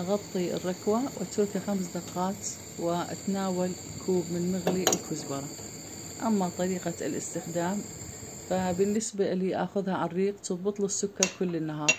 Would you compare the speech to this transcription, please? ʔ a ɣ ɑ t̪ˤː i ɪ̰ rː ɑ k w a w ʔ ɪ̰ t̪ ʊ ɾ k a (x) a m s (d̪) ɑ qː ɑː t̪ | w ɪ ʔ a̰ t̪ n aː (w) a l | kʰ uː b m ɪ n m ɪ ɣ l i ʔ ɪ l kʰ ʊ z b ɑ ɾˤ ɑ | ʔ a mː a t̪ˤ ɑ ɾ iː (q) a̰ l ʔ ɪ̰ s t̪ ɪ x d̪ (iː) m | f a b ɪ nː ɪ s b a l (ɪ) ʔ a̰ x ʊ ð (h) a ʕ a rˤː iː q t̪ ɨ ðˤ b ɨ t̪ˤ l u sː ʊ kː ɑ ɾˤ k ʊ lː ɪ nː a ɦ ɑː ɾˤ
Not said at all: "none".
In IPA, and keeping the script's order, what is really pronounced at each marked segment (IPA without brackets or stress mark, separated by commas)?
x, d̪, w, q, aː, i, h